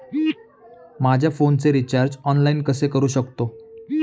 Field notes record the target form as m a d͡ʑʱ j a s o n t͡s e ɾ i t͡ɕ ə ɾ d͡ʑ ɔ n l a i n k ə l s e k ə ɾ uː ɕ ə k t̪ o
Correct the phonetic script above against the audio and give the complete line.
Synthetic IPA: m a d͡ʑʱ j a f o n t͡s e ɾ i t͡ɕ a ɾ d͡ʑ ɔ n l a i n k ə s e k ə ɾ uː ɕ ə k t̪ o

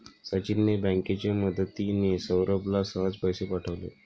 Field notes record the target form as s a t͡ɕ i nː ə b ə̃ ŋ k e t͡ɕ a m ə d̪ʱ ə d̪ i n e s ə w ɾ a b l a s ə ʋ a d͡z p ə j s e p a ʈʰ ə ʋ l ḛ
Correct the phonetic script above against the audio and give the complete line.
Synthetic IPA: s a t͡ɕ i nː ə b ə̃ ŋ k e t͡ɕ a m ə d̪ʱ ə t̪ i n e s ə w ɾ ə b l a s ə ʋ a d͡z p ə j s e p a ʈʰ ə ʋ l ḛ

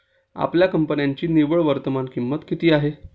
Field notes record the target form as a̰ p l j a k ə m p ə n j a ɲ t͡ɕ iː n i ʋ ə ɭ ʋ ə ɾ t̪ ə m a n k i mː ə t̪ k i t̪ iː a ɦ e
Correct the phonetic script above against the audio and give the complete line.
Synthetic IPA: a̰ p l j a k ə m p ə n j a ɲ t͡ɕ iː n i ʋ ə ɭ ʋ ə ɾ t̪ ə m a n k i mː ə t̪ k i t̪ iː a ɦ e

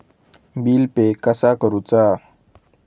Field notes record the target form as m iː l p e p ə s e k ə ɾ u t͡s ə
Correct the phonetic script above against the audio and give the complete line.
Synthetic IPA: b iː l p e k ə s a k ə ɾ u t͡s a

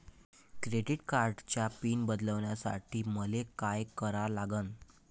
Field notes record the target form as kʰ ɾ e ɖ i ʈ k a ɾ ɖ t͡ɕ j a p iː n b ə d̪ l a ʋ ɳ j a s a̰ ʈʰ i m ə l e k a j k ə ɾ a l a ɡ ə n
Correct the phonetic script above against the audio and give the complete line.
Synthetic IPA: k ɾ e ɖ i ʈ k a ɾ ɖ t͡ɕ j a p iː n b ə d̪ l ə ʋ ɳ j a s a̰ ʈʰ iː m ə l e k a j k ə ɾ a l a ɡ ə n

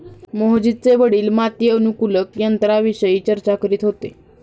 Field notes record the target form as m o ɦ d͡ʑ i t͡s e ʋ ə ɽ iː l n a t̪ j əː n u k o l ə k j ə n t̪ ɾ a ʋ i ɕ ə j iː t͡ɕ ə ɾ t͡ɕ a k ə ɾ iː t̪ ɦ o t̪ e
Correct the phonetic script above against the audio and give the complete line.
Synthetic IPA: m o ɦ d͡ʑ i t͡s e ʋ ə ɽ iː l m a t̪ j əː n u k u l ə k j ə n t̪ ɾ a ʋ i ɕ ə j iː t͡ɕ ə ɾ t͡ɕ a k ə ɾ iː t̪ ɦ o t̪ e

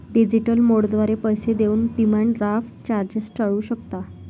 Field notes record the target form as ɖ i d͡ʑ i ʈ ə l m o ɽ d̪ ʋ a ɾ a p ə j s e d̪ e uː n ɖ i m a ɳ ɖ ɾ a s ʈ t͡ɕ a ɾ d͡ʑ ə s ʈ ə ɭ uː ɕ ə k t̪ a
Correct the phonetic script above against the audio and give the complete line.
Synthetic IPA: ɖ i d͡ʑ i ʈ ə l m o ɽ d̪ ʋ a ɾ e p ə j s e d̪ e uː n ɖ i m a ɳ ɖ ɾ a f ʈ t͡ɕ a ɾ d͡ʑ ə s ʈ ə ɭ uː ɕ ə k t̪ a

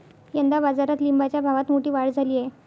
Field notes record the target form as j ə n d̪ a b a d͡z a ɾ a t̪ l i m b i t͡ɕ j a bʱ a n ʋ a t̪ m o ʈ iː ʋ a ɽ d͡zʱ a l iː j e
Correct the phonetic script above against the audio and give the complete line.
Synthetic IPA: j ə n d̪ a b a d͡z a ɾ a t̪ l i m b a t͡ɕ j a bʱ a ʋ a t̪ m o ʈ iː ʋ a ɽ d͡zʱ a l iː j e

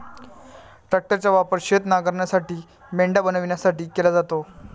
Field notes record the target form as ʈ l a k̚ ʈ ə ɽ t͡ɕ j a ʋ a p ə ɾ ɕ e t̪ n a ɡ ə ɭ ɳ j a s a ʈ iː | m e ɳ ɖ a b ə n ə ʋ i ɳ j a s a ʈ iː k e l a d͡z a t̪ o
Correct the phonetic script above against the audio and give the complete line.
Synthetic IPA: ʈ ɾ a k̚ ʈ ə ɾ t͡ɕ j a ʋ a p ə ɾ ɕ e t̪ n a ɡ ə ɾ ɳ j a s a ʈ iː | m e ɳ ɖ a b ə n ə ʋ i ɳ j a s a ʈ iː k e l a d͡z a t̪ o

